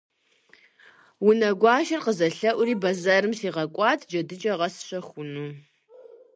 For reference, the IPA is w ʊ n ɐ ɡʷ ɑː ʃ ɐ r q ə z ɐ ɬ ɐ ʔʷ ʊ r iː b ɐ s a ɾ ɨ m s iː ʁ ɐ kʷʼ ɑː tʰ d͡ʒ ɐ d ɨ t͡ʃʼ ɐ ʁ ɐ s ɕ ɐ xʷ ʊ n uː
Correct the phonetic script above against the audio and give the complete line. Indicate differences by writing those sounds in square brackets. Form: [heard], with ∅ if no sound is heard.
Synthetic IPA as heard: w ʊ n ɐ ɡʷ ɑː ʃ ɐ r q ə z ɐ ɬ ɐ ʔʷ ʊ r iː b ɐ [z] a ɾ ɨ m s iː ʁ ɐ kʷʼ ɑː tʰ d͡ʒ ɐ d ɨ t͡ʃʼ ɐ ʁ ɐ s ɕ ɐ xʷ ʊ n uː